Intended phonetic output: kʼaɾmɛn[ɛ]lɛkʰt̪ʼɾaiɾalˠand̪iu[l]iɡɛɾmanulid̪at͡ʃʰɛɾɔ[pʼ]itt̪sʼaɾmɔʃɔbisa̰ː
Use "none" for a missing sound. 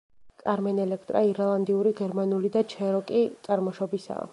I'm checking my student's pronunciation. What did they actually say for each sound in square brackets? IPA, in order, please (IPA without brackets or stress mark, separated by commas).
ɛ, ɾ, kʼ